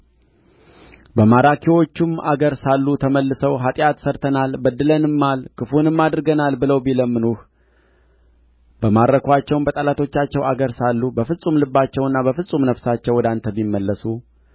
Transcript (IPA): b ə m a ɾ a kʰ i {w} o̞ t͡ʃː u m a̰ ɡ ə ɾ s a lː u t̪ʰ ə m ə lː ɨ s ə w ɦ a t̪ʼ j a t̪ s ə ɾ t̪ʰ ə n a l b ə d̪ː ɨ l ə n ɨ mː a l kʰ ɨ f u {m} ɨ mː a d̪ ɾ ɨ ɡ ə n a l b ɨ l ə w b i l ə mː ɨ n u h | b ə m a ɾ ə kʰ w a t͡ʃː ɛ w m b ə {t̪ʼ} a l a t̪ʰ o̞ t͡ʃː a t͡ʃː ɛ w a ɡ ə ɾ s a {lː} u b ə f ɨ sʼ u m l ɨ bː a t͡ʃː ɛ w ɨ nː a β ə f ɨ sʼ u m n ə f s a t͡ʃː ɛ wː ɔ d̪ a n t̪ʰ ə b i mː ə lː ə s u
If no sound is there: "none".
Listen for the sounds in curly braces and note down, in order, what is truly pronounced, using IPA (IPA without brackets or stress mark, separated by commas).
w, n, t̪ʼ, lː